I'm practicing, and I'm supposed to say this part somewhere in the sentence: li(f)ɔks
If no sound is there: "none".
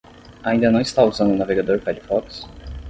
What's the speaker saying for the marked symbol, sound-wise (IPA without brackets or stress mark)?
f